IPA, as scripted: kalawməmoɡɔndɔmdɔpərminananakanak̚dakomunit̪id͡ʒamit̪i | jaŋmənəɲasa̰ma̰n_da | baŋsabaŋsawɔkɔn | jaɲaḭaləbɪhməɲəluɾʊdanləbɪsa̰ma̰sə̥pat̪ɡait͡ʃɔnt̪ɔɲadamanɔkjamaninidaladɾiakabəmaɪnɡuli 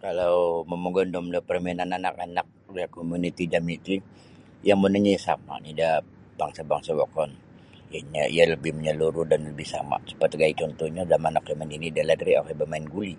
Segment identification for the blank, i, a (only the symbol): i